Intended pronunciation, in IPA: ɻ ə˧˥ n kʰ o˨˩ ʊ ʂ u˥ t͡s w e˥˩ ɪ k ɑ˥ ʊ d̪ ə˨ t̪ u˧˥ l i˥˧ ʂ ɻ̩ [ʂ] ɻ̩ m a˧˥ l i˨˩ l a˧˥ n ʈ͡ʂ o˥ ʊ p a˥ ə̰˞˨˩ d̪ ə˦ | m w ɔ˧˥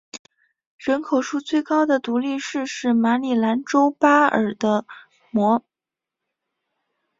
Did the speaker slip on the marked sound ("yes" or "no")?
no